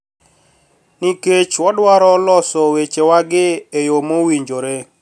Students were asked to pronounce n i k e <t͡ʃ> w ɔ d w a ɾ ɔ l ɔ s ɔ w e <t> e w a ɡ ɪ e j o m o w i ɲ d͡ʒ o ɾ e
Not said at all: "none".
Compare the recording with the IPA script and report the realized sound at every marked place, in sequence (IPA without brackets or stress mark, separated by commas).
t͡ʃ, t͡ʃ